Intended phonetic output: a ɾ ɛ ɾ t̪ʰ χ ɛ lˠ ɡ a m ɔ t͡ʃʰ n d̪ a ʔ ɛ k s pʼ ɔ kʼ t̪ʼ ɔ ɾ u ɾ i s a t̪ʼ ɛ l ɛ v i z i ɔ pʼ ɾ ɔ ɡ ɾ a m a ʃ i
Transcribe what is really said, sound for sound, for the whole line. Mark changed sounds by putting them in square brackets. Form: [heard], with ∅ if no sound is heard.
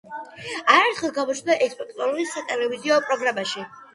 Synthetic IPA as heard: a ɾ ɛ ɾ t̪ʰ χ ɛ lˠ ɡ a m ɔ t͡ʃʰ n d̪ a ʔ ɛ k s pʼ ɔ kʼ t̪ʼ ɔ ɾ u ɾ i s a t̪ʼ ɛ l ɛ v i z i ɔ pʼ ɾ ɔ ɡ ɾ a m a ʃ i